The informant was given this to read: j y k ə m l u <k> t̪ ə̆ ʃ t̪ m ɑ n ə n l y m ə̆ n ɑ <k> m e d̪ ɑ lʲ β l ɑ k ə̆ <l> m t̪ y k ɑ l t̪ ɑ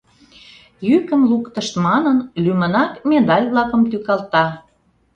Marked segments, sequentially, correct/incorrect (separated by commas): correct, correct, incorrect